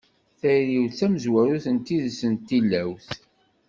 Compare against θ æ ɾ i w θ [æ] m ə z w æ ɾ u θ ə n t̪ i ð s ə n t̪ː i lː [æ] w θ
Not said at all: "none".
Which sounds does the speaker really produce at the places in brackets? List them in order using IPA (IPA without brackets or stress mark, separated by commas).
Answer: æ, æ